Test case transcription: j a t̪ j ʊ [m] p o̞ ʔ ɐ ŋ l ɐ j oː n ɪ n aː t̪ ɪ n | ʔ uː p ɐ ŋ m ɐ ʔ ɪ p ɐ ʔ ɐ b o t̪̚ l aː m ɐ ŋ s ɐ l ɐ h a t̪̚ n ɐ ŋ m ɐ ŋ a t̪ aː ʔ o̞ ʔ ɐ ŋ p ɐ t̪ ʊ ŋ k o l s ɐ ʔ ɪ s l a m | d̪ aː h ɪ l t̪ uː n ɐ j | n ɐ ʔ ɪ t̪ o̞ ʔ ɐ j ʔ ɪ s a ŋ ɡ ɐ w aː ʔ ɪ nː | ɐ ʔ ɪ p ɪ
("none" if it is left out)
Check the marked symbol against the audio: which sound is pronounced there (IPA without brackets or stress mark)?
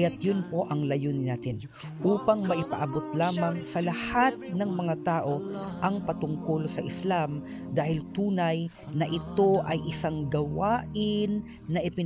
n